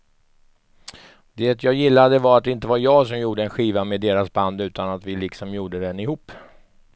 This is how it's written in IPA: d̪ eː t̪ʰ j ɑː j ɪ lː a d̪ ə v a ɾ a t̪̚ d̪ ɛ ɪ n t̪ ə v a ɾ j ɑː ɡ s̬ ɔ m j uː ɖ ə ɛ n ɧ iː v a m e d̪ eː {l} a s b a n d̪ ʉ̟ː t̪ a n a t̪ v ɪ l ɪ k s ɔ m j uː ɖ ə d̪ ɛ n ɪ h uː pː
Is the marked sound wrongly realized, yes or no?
yes